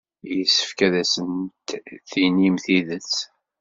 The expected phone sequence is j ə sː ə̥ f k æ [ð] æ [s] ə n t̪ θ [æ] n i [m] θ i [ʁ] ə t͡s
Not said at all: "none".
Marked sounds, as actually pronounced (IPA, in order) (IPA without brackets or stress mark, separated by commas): ð, s, i, m, ð